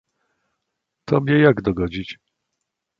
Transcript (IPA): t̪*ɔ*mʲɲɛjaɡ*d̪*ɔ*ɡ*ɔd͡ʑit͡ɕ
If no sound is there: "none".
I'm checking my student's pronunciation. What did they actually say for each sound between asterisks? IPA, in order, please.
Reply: ɔ, d̪, ɡ

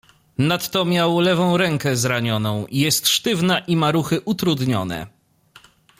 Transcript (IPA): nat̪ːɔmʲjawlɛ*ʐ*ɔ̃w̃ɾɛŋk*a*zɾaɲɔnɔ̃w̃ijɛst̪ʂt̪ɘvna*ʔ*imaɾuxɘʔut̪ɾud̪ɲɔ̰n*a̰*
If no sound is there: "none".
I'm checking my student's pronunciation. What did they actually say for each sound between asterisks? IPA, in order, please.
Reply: v, ɛ, ʔ, ɛ̰

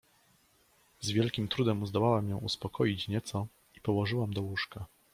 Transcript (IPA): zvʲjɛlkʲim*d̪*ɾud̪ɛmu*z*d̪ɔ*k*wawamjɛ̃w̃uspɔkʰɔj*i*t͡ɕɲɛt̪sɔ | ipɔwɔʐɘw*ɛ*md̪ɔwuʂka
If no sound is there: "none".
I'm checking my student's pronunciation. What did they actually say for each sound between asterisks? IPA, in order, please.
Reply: t̪, z, none, i, a

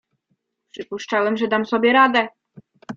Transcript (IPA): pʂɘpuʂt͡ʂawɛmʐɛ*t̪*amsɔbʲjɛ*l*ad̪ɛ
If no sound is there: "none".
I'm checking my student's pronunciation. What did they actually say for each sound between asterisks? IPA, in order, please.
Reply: d̪, ɾ

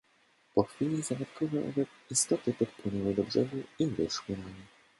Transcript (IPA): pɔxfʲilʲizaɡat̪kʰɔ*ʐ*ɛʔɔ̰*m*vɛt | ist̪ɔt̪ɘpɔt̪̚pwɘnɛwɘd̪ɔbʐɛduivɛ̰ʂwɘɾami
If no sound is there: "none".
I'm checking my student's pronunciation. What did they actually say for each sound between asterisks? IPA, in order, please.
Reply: v, none

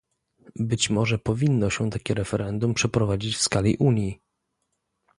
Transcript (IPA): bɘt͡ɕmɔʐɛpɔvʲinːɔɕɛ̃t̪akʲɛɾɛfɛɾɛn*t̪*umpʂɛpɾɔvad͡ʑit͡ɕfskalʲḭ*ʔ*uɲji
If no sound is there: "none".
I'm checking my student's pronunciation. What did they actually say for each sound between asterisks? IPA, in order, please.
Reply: d̪, ʔ

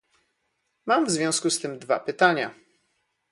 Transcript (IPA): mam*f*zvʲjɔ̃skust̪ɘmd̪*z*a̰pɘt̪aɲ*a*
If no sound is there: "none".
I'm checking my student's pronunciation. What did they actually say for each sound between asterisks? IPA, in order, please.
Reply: v, v, a

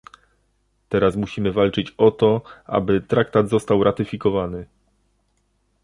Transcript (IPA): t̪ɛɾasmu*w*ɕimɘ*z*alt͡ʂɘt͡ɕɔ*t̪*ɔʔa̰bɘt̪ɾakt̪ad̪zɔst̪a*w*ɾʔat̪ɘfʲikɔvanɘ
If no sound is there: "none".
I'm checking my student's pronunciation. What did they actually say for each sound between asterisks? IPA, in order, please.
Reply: none, v, t̪, w

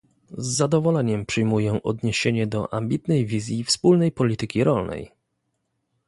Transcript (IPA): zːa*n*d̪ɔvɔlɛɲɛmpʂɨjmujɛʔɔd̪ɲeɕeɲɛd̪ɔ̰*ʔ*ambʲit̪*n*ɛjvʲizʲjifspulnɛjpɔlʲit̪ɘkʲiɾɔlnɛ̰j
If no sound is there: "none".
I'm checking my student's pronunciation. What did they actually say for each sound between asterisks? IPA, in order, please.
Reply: none, ʔ, n

